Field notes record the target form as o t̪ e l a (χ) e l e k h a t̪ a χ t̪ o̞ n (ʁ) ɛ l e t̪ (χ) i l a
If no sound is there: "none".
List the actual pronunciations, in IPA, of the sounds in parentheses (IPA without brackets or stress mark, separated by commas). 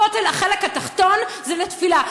χ, z, f